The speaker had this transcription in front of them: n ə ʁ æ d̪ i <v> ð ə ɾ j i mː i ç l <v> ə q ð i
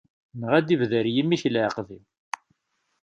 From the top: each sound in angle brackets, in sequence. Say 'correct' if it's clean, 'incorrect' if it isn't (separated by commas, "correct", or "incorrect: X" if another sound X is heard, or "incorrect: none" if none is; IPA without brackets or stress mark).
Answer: correct, incorrect: ʕ